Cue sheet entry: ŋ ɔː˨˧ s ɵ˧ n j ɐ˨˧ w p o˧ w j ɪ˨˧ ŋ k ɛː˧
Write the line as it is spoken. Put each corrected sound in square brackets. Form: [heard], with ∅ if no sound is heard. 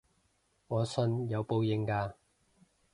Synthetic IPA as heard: ŋ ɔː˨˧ s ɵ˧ n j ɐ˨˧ w p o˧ w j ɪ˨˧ ŋ k [aː˧]